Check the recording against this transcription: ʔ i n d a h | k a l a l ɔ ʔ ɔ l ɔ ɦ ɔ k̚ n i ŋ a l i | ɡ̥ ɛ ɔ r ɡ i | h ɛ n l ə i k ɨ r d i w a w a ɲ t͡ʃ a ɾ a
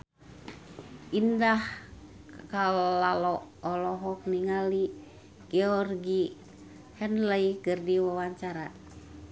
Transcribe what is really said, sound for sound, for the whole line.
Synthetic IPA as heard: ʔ i n d a h | k a l a l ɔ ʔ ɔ l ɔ ɦ ɔ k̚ n i ŋ a l i | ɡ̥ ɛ ɔ r ɡ i | h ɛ n l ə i k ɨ r d i w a w a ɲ t͡ʃ a ɾ a